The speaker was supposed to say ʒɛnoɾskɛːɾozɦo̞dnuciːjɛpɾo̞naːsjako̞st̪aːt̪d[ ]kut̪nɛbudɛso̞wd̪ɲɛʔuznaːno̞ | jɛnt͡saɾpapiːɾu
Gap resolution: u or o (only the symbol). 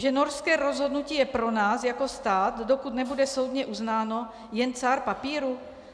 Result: o